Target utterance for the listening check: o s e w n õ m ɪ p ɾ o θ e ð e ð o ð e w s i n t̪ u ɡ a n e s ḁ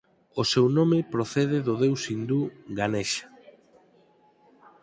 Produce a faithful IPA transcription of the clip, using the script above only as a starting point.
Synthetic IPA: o s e w n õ m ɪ p ɾ o θ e ð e ð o ð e w s i n d̪ u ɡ a n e ʃ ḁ